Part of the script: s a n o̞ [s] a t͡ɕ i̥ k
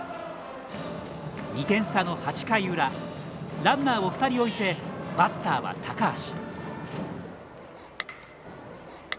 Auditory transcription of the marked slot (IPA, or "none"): h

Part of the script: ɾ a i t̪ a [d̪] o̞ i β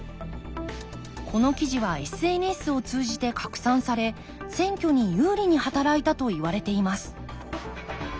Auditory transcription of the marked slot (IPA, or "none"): t̪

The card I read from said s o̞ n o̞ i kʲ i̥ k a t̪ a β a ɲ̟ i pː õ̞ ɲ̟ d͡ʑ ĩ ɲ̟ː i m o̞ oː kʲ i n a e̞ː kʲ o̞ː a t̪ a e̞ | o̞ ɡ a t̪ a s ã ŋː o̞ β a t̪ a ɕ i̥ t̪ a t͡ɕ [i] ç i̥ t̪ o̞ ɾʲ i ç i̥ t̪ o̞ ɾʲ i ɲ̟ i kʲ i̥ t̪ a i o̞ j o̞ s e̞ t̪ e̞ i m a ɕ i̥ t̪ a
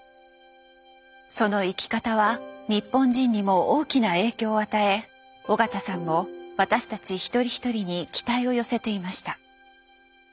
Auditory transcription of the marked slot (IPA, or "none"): i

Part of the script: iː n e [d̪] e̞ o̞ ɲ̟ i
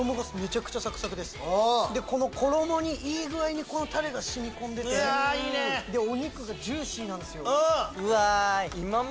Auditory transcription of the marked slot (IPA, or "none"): d̪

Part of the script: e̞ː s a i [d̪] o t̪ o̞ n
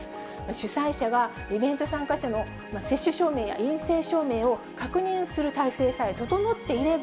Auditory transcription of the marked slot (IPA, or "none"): t̪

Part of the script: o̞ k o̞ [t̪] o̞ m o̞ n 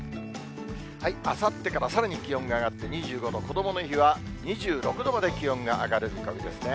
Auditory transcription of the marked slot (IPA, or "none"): d̪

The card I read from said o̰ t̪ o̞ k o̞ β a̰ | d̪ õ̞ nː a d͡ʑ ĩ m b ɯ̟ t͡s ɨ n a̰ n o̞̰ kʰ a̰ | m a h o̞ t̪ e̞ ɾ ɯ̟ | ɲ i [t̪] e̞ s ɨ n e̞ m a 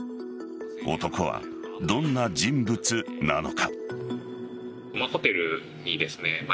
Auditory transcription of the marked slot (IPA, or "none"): d̪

